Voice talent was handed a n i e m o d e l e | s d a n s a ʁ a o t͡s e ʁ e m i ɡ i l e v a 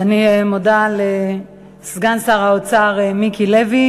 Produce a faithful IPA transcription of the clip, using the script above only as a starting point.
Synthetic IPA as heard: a n i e m o d a l e | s ɡ a n s a ʁ a o t͡s a ʁ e m i k i l e v i